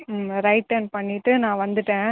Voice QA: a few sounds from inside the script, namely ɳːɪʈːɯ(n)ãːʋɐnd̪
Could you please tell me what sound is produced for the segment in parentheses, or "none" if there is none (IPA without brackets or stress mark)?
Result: n